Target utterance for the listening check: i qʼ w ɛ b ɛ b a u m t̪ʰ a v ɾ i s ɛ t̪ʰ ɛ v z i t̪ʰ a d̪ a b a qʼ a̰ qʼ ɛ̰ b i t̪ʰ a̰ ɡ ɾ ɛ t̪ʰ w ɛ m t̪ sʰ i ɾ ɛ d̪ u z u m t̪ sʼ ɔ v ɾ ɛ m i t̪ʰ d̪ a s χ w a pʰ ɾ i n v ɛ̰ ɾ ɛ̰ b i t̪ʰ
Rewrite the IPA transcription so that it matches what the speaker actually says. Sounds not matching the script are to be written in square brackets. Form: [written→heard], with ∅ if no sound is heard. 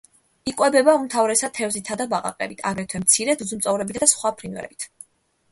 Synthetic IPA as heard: i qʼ w ɛ b ɛ b a u m t̪ʰ a v ɾ [i→ɛ] s [ɛ→a] t̪ʰ ɛ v z i t̪ʰ a d̪ a b a qʼ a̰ qʼ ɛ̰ b i t̪ʰ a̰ ɡ ɾ ɛ t̪ʰ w ɛ m t̪ sʰ i ɾ ɛ d̪ u z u m t̪ sʼ ɔ v ɾ ɛ [m→b] i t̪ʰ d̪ a s χ w a pʰ ɾ i n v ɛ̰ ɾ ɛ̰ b i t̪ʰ